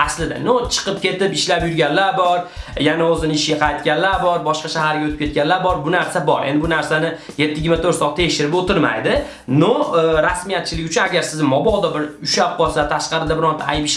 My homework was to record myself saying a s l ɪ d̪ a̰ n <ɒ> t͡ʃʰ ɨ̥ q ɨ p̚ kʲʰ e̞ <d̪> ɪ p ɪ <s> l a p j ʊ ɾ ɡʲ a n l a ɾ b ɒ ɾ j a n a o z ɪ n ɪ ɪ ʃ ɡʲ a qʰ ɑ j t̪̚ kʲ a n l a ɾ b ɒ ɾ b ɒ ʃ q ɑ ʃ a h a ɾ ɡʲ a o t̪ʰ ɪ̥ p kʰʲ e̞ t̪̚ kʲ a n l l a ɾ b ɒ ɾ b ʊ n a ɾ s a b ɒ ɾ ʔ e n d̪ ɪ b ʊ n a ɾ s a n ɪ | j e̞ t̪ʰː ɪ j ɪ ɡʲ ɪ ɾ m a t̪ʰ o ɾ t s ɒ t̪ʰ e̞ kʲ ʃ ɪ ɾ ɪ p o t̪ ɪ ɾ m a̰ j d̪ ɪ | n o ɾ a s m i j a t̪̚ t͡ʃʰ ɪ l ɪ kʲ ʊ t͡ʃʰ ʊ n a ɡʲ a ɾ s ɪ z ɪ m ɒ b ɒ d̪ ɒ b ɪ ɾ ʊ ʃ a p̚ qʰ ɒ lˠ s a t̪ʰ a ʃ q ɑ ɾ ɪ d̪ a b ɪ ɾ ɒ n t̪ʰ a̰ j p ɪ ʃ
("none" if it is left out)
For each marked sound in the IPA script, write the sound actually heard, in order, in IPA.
o, t̪, ʃ

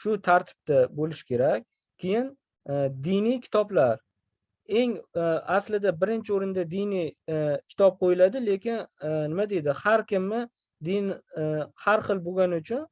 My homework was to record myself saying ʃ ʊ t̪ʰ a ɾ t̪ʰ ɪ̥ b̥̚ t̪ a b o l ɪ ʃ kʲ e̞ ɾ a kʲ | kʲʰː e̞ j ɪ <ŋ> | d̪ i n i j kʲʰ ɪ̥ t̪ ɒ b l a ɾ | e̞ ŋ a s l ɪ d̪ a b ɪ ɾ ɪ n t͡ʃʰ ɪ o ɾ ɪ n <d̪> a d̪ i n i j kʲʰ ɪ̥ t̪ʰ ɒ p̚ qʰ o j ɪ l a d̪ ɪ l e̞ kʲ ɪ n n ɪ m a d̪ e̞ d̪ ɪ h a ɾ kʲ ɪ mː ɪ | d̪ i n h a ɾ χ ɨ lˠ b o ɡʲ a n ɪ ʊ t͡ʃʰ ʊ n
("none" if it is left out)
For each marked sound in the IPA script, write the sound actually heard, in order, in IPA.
n, d̪

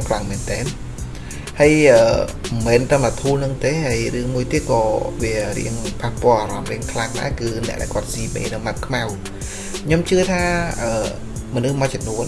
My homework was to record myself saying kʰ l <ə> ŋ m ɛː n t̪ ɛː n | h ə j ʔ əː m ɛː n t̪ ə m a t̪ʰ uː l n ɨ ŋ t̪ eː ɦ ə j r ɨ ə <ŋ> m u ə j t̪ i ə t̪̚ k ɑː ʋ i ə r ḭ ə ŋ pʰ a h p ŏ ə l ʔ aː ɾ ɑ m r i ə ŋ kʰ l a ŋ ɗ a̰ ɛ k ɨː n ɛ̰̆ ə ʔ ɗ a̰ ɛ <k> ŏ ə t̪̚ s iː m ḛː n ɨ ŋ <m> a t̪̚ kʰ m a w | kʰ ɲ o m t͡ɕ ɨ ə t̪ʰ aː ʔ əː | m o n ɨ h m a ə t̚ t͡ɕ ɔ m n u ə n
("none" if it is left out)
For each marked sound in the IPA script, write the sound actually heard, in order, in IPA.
a, ŋ, k, m

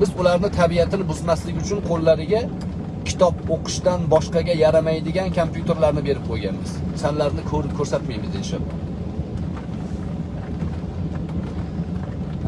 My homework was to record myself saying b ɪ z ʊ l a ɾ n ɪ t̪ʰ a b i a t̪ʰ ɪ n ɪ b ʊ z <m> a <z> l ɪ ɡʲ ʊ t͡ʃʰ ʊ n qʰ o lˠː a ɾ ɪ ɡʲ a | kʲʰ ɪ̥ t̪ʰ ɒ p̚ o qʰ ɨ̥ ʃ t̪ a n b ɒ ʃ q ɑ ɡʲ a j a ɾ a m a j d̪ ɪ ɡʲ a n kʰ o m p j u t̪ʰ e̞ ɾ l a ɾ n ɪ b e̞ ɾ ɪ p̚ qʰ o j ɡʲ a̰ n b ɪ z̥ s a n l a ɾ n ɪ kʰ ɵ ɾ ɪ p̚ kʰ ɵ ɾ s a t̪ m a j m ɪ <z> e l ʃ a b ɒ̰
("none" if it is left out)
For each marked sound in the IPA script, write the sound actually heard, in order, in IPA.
m, s, z

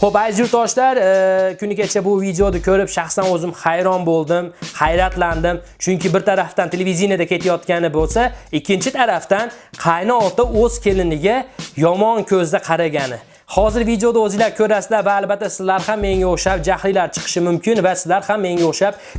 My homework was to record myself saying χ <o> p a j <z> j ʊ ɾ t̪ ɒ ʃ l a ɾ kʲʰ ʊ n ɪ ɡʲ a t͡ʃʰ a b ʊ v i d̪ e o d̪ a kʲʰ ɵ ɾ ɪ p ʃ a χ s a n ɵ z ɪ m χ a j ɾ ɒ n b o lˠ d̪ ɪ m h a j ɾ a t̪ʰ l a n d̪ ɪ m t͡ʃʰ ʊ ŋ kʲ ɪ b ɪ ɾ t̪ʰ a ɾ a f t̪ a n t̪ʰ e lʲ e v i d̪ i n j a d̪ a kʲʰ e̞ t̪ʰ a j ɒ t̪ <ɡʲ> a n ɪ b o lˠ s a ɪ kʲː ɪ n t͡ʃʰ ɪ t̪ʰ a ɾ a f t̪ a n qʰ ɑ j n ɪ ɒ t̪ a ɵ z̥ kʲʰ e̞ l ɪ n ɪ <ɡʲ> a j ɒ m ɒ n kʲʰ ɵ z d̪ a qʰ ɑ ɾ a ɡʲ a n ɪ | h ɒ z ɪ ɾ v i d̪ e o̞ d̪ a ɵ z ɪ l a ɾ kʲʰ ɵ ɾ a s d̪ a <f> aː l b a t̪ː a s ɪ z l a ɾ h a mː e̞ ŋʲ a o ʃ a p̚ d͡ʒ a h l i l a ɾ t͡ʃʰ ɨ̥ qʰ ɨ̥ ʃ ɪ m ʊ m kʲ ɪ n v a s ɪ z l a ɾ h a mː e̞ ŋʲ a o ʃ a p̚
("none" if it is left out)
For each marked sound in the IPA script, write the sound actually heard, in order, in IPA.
o, z, kʲ, ɡʲ, v

